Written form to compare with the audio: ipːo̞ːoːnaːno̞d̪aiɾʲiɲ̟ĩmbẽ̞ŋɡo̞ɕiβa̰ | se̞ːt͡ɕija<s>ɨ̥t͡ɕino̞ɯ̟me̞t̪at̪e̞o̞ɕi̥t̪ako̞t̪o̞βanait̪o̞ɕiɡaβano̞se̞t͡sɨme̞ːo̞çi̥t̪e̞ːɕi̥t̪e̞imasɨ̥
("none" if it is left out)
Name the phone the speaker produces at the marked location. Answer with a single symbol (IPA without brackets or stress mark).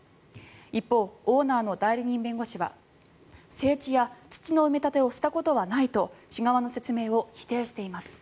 t͡s